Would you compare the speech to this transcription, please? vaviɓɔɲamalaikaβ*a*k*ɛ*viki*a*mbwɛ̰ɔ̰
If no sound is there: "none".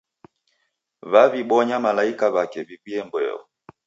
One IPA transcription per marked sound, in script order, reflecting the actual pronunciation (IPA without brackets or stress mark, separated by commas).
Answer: a, ɛ, ɛ